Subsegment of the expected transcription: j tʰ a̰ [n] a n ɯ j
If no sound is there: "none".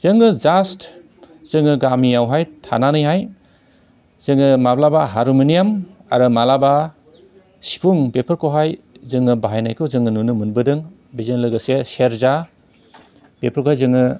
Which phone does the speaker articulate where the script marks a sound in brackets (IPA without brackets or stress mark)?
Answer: n